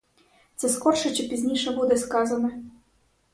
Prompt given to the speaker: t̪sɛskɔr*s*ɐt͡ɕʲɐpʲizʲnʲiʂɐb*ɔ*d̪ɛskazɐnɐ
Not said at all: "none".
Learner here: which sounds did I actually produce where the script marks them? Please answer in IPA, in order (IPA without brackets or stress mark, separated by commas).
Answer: ʂ, u